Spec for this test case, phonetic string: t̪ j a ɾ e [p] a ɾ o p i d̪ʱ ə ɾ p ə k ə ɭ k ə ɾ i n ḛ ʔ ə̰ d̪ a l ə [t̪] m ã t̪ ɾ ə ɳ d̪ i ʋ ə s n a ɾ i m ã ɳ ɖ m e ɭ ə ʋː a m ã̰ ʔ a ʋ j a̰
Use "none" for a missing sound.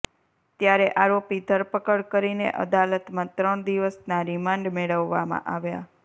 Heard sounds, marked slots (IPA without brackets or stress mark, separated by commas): ʔ, t̪